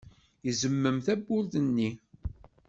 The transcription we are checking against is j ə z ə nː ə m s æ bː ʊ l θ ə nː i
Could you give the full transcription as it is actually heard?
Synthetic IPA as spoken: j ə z ə mː ə m θ æ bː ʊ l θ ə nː i